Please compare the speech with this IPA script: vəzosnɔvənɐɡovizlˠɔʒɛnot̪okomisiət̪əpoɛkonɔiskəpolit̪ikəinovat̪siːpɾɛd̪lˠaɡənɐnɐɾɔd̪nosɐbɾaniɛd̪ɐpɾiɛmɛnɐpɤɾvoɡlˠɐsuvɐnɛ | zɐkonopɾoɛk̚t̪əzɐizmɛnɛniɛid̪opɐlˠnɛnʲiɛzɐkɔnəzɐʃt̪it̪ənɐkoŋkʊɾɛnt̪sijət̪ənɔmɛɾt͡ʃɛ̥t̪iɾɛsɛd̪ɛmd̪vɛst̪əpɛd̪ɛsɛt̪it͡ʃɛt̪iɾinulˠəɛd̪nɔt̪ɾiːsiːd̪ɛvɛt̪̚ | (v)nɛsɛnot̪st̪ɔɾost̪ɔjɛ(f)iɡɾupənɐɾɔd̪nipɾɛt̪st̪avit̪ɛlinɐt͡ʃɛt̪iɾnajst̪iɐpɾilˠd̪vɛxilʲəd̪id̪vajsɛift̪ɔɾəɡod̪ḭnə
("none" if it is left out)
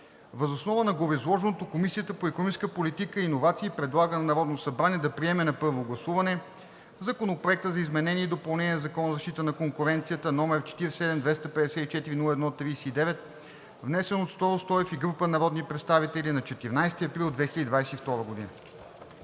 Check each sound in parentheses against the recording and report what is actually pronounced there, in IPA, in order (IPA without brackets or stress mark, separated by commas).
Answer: v, f